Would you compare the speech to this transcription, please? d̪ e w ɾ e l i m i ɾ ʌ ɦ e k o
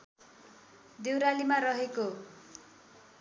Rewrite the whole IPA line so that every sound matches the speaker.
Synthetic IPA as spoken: d̪ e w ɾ a l i m a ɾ ʌ ɦ e k o